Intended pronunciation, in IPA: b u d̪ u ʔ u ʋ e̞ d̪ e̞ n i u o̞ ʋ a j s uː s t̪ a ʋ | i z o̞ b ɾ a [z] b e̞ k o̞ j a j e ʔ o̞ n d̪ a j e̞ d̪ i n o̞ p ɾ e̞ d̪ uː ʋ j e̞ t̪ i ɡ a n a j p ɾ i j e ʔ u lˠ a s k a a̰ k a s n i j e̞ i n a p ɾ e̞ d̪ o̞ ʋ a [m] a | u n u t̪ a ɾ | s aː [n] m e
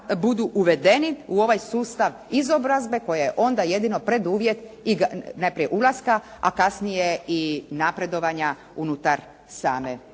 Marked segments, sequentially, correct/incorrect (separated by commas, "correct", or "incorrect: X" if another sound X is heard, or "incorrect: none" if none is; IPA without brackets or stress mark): correct, incorrect: ɲ, incorrect: none